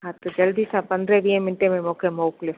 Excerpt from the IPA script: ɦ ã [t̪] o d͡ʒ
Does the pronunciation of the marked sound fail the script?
no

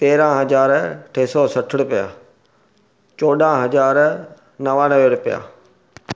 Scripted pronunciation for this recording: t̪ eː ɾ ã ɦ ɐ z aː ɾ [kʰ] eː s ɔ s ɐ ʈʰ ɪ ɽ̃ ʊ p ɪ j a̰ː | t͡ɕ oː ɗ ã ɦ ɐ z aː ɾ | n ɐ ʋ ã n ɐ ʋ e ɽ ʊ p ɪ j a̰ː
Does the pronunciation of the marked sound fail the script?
yes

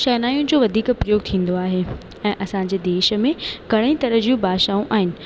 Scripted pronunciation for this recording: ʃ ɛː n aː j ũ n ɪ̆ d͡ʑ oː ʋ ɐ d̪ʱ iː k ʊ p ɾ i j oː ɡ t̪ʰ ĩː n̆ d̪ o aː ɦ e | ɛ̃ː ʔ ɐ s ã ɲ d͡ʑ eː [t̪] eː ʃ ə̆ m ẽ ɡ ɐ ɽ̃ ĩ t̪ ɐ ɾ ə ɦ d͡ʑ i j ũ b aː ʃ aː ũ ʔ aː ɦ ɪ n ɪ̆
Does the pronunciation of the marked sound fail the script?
yes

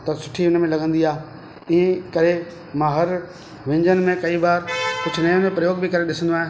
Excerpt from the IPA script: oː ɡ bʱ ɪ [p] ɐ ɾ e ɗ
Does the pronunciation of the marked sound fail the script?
yes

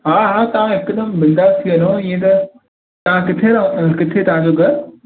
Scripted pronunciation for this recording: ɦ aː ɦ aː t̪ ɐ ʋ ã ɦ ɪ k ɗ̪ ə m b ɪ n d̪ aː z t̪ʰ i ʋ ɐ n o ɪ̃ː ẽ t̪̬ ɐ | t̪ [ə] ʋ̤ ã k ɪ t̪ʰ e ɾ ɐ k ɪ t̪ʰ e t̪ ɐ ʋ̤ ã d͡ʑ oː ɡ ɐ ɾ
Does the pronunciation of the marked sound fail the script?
yes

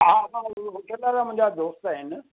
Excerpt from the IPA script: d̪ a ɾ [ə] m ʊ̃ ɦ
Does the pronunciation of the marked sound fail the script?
yes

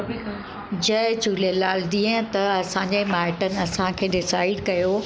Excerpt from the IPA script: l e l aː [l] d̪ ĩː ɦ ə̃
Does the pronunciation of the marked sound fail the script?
no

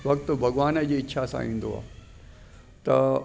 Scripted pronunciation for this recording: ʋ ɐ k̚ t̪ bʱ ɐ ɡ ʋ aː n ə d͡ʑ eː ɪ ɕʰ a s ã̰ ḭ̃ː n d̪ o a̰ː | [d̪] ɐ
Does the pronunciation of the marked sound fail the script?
yes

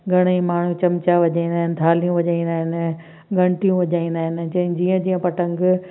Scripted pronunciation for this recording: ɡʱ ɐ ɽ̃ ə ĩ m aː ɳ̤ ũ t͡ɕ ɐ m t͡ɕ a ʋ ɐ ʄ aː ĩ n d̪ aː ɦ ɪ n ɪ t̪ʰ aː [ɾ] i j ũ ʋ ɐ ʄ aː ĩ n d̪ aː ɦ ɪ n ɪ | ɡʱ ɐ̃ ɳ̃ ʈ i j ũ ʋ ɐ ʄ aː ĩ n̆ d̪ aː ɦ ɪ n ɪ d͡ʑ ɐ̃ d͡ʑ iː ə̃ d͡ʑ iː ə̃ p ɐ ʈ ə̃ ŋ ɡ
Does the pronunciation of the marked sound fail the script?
yes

